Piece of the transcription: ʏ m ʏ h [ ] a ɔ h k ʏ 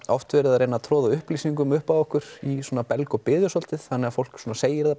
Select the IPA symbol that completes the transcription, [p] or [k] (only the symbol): p